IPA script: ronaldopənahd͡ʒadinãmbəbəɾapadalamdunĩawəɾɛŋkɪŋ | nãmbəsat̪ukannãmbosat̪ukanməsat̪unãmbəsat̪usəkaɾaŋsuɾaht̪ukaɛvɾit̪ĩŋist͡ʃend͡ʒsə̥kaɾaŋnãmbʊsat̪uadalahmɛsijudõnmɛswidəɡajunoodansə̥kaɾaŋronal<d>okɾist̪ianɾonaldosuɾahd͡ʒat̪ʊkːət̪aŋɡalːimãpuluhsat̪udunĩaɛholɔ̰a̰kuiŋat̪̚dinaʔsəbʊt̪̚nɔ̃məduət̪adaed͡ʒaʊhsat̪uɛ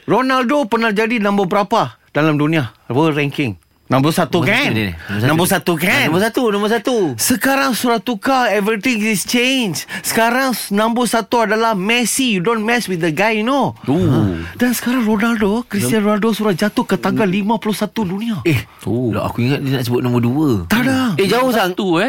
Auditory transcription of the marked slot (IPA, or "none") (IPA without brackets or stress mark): d